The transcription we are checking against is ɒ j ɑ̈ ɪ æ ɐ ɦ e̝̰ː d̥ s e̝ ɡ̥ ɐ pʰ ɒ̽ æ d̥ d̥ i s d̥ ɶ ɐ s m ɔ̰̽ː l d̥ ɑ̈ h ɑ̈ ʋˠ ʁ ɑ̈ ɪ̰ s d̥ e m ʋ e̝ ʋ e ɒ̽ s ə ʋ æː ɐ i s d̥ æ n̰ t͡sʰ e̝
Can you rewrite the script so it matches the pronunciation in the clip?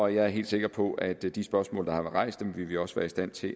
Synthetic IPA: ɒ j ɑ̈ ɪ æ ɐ ɦ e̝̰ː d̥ s e̝ ɡ̥ ɐ pʰ ɒ̽ æ d̥ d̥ i s b̥ ɶ ɐ s m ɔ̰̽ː l d̥ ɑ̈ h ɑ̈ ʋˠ ʁ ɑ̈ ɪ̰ s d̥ e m ʋ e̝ ʋ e ɒ̽ s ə ʋ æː ɐ i s d̥ æ n̰ t͡sʰ e̝